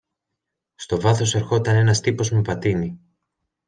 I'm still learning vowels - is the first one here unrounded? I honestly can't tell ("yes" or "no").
no